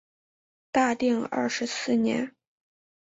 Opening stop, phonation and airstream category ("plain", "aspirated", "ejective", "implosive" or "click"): plain